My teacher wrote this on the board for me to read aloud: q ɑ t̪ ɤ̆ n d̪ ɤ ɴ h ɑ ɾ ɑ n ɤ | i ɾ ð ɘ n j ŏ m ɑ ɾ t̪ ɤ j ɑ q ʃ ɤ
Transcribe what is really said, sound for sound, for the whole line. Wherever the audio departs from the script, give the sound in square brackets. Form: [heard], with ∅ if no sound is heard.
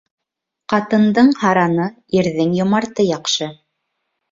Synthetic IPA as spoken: q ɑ t̪ ɤ̆ n d̪ ɤ ɴ h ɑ ɾ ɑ n ɤ | i ɾ ð ɘ [ŋ] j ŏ m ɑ ɾ t̪ ɤ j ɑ q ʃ ɤ